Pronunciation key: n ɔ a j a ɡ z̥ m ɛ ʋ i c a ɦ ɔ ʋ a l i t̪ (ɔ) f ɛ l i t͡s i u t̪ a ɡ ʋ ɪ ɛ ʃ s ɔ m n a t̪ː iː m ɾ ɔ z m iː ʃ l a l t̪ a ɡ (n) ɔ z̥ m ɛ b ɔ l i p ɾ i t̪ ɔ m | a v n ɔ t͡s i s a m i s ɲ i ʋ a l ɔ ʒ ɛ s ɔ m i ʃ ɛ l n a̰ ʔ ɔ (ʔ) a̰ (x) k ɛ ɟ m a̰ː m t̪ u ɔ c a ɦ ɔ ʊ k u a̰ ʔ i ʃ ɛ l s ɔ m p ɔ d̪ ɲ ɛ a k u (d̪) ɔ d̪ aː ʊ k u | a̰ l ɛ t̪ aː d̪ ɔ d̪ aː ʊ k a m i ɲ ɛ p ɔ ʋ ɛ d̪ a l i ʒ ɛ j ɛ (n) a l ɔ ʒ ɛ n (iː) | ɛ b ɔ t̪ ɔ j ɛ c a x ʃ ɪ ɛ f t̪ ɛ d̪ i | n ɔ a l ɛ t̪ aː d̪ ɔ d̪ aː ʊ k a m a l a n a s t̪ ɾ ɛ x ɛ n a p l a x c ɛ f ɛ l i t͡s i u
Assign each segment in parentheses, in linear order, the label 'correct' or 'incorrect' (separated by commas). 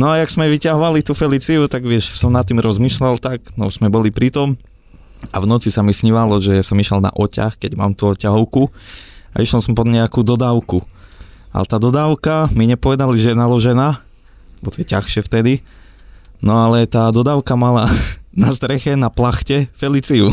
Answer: incorrect, correct, incorrect, correct, correct, correct, incorrect